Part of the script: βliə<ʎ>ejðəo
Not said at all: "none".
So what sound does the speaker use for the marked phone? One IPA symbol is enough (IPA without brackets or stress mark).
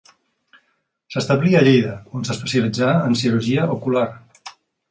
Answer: ʎ